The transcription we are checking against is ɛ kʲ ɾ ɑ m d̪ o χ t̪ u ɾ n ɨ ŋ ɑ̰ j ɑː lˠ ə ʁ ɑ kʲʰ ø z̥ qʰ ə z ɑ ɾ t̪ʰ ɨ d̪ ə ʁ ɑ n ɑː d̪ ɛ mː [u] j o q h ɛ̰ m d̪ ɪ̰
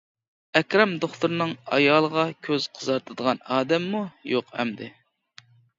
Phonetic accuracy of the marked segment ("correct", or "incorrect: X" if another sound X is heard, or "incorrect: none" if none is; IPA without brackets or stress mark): correct